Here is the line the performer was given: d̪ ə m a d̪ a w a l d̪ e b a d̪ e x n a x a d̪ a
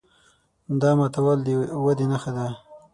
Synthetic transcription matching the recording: d̪ ɑ m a t̪ a w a l d̪ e w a d̪ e n a x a d̪ a